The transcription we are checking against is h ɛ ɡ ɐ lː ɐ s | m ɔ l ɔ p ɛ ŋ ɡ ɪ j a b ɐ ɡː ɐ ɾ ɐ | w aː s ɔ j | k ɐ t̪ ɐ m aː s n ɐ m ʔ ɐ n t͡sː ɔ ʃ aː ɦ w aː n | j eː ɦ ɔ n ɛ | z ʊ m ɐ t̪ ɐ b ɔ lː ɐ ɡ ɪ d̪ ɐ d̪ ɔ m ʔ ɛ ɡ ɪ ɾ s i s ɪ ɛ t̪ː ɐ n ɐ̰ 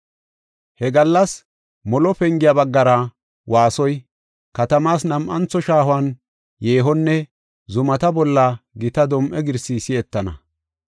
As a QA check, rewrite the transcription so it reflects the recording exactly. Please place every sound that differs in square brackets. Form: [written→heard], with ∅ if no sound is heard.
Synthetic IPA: h ɛ ɡ ɐ lː ɐ s | m ɔ l ɔ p ɛ ŋ ɡ ɪ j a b ɐ ɡː ɐ ɾ ɐ | w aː s ɔ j | k ɐ t̪ ɐ m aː s n ɐ m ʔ ɐ n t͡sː ɔ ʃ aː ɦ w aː n | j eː ɦ ɔ [n→nː] ɛ | z ʊ m ɐ t̪ ɐ b ɔ lː ɐ ɡ ɪ [d̪→t̪] ɐ d̪ ɔ m ʔ ɛ ɡ ɪ ɾ s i s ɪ ɛ t̪ː ɐ n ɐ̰